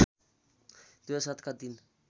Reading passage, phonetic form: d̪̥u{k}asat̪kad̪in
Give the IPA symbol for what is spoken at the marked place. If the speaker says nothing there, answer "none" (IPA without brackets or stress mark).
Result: none